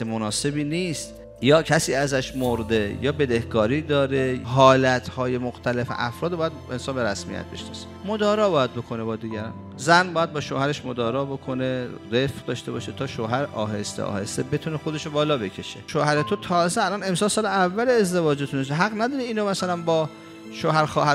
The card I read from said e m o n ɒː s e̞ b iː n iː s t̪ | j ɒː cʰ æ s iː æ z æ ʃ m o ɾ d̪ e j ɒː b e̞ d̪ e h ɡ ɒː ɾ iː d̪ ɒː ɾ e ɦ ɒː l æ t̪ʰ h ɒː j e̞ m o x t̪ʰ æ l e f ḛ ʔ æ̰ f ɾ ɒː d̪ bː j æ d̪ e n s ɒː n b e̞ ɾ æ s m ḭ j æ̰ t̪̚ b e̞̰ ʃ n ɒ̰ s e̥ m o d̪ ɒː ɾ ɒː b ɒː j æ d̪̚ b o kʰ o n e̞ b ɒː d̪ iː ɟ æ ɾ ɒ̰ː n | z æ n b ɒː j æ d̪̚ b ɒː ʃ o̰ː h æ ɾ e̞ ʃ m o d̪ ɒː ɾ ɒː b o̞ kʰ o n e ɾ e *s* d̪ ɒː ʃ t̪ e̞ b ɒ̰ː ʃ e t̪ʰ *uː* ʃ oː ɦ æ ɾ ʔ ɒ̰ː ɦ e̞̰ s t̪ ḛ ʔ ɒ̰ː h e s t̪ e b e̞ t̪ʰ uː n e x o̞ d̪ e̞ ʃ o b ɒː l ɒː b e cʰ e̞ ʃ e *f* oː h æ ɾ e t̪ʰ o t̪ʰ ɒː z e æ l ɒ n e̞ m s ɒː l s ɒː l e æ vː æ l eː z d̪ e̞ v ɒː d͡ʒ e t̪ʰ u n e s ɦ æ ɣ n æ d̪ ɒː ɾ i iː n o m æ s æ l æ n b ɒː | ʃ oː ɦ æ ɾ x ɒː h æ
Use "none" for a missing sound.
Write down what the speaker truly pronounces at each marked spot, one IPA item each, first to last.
f, ɒː, ʃ

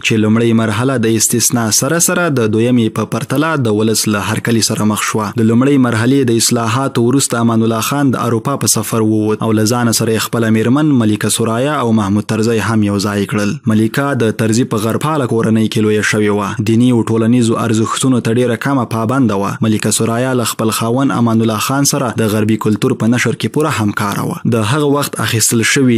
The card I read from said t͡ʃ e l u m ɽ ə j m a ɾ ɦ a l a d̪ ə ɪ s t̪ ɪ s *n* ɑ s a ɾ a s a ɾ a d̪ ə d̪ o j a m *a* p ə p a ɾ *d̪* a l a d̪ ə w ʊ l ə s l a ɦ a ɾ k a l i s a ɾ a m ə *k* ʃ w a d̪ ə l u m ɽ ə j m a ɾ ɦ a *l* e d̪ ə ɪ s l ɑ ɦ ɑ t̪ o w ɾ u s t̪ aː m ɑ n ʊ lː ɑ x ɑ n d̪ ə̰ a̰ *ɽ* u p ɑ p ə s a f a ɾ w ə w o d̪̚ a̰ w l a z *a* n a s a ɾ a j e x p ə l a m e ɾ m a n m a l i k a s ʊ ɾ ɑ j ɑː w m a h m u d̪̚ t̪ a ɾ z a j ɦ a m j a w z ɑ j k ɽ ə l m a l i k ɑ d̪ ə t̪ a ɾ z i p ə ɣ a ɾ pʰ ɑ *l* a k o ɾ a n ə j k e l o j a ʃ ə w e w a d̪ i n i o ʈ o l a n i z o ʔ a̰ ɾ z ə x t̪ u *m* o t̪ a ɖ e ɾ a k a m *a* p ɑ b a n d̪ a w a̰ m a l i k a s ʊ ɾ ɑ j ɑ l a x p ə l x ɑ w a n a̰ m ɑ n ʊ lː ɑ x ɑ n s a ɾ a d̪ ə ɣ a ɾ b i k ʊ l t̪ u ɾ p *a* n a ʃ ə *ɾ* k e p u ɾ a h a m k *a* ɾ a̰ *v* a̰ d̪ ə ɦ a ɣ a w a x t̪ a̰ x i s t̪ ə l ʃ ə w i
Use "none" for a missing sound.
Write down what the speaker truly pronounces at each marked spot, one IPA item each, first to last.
n, e, t̪, x, l, ɾ, ɑ, l, n, a, ə, ɾ, ɑ, w

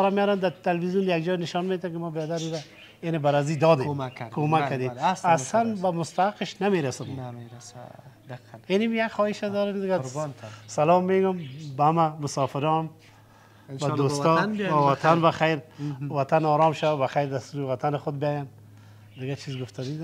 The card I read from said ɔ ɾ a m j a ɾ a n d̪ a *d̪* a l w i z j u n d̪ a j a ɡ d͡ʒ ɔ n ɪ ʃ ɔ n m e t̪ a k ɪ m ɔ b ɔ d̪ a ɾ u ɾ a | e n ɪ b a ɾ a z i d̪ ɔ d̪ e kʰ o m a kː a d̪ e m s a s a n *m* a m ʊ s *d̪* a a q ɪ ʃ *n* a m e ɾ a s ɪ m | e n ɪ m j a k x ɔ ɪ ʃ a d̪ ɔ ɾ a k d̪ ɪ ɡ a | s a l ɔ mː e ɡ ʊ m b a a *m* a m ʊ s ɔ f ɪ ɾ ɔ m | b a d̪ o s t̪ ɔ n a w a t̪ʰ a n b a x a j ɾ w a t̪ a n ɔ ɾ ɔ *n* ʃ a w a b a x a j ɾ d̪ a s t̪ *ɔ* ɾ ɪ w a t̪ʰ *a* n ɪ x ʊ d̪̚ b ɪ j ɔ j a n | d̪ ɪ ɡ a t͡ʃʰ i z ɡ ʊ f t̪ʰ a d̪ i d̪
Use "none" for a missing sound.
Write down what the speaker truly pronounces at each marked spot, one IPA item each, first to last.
t̪, b, t̪, n, m, m, u, a

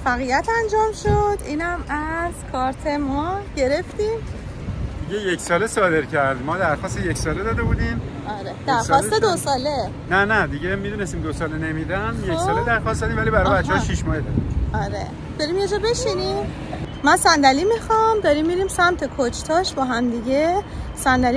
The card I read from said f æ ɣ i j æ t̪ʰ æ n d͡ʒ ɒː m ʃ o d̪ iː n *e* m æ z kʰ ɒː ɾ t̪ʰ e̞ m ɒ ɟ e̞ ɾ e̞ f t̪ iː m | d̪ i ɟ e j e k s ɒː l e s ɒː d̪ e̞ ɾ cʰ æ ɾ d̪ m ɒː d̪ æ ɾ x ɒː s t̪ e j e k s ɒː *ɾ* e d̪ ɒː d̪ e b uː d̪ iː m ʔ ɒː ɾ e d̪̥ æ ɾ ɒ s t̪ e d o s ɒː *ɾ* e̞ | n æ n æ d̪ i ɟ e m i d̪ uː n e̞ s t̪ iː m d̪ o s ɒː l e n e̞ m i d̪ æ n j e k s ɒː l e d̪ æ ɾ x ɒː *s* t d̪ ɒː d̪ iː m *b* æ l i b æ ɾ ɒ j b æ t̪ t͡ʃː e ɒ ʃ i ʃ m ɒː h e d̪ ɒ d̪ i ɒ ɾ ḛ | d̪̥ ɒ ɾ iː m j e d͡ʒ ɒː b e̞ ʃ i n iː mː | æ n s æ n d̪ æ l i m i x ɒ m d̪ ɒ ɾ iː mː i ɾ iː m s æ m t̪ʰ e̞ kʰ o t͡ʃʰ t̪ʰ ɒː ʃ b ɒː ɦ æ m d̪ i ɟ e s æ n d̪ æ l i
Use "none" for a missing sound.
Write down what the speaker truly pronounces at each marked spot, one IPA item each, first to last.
æ, l, l, s, v

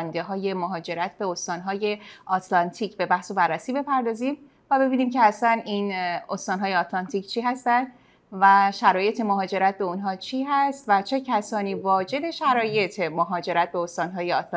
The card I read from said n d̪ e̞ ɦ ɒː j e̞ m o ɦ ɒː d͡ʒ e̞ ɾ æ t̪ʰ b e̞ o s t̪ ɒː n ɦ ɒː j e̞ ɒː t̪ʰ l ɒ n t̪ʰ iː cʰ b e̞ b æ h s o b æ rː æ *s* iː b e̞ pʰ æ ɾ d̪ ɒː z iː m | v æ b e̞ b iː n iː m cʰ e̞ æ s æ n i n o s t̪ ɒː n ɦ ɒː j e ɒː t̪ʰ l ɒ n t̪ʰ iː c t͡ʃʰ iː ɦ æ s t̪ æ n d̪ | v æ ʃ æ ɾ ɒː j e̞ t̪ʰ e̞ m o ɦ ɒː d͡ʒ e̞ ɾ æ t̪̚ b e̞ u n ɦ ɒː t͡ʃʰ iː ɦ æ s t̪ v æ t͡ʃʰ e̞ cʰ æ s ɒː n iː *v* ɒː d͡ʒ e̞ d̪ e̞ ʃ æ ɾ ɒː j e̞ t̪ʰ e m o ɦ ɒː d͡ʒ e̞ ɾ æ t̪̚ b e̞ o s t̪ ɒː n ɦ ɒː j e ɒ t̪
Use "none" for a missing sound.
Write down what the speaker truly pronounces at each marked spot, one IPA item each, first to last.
s, v

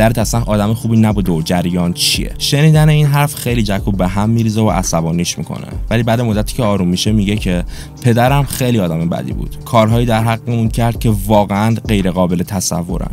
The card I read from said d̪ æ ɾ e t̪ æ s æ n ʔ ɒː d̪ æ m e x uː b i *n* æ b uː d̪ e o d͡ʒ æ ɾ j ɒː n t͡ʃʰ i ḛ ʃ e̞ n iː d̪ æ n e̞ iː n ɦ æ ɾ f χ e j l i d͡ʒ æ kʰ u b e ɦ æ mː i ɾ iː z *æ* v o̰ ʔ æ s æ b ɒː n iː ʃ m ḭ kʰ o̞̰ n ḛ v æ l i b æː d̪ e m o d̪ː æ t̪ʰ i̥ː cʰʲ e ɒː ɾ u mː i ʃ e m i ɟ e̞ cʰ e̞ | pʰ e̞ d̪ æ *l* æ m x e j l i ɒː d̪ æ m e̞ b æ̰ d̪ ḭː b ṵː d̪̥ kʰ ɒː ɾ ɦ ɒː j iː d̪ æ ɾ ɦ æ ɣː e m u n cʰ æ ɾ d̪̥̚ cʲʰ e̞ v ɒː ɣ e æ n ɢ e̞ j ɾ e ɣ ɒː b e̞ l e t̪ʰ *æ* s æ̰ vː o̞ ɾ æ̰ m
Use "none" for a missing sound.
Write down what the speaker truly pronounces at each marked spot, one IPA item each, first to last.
n, e, ɾ, æ

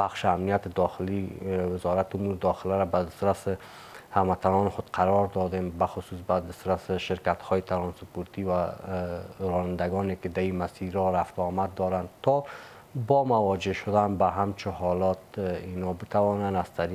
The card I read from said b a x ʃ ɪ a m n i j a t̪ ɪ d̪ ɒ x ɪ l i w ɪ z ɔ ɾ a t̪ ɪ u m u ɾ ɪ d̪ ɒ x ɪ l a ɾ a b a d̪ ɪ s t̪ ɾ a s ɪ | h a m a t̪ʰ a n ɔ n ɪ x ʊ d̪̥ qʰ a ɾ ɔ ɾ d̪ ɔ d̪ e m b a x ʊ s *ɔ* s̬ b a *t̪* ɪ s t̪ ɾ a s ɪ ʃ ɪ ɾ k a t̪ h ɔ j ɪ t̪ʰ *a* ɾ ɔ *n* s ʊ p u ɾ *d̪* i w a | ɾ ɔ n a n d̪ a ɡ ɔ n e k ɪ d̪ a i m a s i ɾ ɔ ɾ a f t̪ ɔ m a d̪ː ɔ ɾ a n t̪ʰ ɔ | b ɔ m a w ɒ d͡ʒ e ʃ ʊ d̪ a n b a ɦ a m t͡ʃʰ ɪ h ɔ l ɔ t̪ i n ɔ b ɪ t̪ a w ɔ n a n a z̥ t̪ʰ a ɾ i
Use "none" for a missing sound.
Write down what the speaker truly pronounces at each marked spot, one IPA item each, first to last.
u, d̪, a, n, t̪

